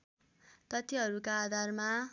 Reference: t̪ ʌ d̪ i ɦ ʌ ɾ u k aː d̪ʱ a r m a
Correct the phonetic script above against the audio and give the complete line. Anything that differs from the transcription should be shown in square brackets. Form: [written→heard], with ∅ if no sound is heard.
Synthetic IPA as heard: t̪ ʌ [d̪→t̪] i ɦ ʌ ɾ u k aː d̪ʱ a r m a